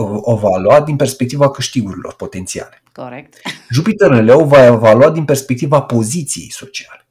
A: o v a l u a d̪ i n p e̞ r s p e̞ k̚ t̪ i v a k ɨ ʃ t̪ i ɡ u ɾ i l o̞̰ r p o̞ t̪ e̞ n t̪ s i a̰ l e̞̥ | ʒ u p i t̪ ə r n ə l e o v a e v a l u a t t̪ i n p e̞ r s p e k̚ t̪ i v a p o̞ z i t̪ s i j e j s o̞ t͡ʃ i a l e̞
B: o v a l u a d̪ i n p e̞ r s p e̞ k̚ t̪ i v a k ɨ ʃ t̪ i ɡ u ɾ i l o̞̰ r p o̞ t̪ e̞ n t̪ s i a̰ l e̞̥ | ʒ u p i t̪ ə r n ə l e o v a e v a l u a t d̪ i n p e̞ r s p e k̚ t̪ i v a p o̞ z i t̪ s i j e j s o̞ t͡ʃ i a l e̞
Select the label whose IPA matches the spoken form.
B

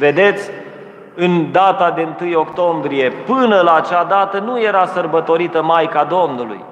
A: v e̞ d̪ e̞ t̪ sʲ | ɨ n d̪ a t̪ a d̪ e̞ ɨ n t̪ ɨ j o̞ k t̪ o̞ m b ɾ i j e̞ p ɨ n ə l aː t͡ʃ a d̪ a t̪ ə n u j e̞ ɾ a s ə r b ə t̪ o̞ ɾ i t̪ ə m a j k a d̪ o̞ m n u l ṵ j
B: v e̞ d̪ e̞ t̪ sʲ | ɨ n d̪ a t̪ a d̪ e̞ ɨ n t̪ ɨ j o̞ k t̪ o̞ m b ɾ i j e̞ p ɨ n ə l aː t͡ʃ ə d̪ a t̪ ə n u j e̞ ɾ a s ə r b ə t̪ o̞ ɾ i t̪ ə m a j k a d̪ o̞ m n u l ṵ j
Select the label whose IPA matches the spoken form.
A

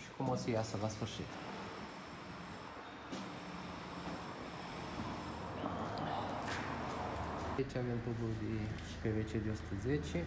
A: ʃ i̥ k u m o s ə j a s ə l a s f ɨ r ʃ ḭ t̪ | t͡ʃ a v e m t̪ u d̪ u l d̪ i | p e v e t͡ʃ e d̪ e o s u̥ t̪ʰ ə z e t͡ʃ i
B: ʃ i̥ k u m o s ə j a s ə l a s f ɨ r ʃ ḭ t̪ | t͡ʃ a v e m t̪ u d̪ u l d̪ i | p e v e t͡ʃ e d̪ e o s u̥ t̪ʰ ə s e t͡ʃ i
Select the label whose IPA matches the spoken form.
A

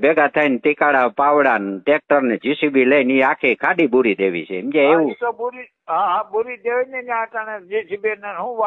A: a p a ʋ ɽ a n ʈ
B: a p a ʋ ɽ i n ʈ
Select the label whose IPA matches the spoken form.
A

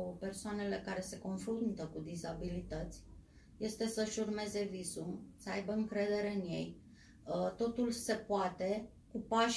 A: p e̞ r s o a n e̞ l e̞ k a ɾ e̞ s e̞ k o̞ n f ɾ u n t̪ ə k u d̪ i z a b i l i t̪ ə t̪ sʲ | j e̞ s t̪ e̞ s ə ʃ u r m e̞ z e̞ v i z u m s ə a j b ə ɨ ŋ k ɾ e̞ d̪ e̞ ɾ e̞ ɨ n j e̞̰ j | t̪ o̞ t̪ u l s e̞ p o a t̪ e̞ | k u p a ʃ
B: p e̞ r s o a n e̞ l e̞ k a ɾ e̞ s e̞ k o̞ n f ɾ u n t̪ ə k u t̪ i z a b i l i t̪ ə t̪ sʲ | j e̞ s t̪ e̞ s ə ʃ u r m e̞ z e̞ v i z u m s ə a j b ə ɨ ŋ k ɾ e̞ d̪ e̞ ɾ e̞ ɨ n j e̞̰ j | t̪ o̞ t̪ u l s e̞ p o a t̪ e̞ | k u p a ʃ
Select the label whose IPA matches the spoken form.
A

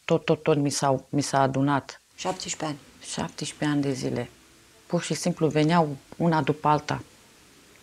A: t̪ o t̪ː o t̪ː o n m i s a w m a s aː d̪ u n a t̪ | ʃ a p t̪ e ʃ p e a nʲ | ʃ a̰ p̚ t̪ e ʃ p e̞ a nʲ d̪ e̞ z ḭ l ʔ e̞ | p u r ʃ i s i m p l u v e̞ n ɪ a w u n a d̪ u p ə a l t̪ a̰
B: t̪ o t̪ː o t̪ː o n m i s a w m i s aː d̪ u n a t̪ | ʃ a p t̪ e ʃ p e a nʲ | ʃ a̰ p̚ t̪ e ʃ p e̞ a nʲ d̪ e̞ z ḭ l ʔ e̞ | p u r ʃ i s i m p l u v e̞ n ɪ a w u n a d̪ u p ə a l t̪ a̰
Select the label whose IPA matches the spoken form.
B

